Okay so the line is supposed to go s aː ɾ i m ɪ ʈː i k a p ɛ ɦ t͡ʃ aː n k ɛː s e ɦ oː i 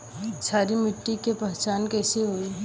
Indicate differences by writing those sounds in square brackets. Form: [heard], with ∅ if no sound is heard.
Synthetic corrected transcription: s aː ɾ i m ɪ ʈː i k [e] p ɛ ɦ t͡ʃ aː n k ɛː s e ɦ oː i